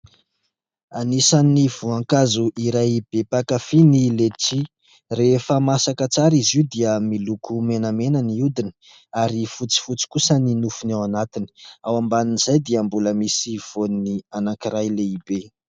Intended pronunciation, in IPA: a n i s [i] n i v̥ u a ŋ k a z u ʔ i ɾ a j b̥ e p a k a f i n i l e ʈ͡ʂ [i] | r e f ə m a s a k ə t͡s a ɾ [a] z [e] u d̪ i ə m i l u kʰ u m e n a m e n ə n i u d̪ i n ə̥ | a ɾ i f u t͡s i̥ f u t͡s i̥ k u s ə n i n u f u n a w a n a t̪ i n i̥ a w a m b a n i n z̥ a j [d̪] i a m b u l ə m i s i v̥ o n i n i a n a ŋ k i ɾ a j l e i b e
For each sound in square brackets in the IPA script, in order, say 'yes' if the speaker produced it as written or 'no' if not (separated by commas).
no, yes, no, no, yes